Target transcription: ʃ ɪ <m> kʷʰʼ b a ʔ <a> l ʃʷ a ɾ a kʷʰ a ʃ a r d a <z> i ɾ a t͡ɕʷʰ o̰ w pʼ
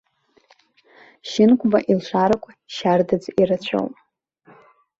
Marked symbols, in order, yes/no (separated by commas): no, no, no